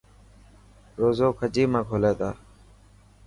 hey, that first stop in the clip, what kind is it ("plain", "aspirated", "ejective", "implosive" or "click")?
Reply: aspirated